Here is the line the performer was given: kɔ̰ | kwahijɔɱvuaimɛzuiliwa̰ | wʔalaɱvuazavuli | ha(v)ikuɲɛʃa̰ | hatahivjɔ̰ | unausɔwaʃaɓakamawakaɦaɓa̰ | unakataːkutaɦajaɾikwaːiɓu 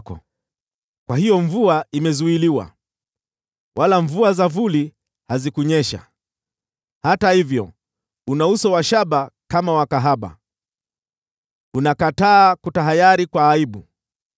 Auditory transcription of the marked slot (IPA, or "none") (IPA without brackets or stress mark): z